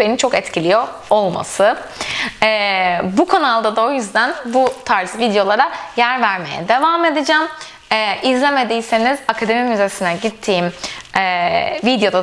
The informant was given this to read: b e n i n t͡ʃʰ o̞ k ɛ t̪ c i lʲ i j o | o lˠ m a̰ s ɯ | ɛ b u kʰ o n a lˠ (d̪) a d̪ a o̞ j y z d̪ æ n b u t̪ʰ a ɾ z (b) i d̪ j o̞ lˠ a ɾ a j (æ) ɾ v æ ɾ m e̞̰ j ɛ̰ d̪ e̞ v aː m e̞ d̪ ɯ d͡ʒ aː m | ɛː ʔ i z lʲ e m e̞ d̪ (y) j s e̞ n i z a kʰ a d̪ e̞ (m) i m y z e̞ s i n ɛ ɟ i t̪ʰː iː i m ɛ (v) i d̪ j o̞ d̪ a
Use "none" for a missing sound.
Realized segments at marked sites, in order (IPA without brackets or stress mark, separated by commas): d̪, v, æ, i, m, v